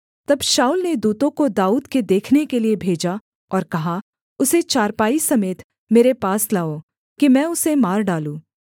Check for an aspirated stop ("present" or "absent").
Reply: present